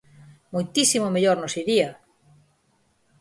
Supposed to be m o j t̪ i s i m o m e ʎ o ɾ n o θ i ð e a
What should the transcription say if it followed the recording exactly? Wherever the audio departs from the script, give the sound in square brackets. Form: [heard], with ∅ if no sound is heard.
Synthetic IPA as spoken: m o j t̪ i s i m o m e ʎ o ɾ n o [s] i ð [i] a